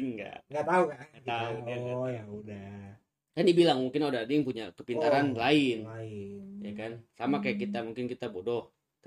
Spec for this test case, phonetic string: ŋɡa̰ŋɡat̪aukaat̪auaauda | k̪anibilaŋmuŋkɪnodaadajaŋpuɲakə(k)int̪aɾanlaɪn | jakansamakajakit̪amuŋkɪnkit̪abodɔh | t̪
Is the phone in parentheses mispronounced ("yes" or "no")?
yes